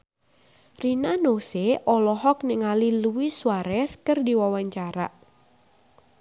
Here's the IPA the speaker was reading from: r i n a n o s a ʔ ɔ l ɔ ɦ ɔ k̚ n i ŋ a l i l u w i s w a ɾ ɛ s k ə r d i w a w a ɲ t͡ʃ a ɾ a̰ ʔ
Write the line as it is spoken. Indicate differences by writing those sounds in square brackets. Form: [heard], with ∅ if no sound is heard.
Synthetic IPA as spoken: r i n a n o s [e] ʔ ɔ l ɔ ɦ ɔ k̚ n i ŋ a l i l u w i s w a ɾ ɛ s k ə r d i w a w a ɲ t͡ʃ a ɾ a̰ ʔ